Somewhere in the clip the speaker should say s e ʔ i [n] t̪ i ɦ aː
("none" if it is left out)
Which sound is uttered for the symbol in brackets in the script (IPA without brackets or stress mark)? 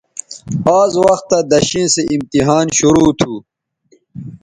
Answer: m